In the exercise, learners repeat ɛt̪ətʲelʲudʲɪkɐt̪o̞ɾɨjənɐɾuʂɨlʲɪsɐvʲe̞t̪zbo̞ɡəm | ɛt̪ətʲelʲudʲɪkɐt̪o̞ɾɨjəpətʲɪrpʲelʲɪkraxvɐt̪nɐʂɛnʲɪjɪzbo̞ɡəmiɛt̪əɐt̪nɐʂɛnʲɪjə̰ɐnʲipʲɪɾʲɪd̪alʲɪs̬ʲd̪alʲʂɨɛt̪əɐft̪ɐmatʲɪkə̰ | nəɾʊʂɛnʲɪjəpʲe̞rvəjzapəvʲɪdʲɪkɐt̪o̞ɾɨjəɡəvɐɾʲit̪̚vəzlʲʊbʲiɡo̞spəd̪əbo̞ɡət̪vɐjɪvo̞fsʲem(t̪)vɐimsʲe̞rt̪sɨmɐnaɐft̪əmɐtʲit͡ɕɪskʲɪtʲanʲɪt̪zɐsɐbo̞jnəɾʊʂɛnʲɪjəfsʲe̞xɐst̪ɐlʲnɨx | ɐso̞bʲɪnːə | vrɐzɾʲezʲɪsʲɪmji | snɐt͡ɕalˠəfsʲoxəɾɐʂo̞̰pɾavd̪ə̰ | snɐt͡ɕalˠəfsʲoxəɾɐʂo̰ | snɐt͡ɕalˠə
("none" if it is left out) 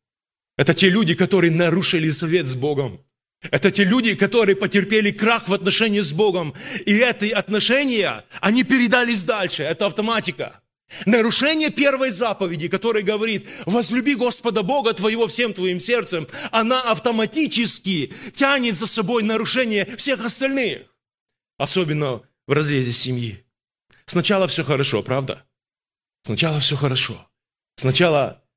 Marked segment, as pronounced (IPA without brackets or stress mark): t̪